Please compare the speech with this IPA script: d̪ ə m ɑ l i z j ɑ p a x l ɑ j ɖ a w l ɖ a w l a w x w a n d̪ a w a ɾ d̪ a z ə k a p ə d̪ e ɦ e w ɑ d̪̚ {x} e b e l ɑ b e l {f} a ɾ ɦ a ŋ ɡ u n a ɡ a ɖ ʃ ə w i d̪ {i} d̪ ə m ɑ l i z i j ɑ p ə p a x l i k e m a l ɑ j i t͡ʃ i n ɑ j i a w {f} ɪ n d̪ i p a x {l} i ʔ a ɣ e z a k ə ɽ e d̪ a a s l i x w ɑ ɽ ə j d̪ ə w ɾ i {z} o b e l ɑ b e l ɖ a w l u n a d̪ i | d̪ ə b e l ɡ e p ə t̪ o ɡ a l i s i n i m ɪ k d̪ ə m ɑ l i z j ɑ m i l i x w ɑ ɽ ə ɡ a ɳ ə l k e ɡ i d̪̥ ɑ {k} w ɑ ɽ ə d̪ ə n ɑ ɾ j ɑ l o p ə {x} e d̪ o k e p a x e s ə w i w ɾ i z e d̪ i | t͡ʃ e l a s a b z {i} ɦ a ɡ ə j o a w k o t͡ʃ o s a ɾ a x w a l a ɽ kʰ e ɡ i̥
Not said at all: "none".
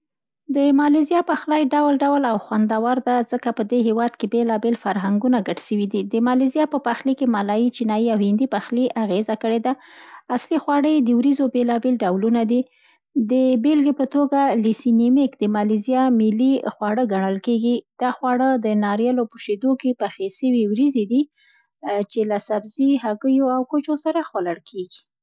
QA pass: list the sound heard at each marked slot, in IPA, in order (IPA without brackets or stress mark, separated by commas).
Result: k, f, i, h, l, z, x, ʃ, i